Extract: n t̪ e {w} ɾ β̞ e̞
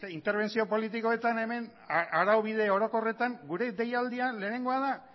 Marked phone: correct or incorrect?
incorrect